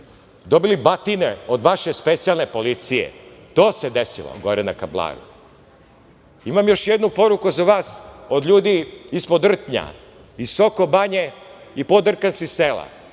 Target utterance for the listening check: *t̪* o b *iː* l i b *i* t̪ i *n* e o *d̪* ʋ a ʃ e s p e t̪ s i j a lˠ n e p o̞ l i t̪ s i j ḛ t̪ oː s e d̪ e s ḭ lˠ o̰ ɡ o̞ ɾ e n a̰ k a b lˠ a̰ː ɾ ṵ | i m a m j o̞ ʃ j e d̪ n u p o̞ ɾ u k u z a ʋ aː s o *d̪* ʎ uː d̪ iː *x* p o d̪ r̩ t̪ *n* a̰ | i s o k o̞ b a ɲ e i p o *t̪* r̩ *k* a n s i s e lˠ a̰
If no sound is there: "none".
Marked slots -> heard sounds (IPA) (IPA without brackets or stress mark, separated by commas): d̪, i, a, n, d̪, d̪, s, ɲ, d̪, k